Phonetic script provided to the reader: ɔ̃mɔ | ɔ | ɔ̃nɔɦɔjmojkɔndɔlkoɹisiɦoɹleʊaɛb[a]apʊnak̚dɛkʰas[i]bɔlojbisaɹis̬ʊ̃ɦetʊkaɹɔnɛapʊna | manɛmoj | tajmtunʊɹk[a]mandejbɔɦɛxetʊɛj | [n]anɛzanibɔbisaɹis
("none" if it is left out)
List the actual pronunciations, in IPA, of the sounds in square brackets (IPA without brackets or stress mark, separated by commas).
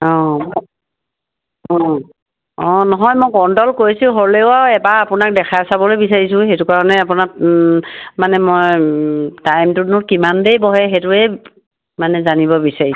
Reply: a, a, i, m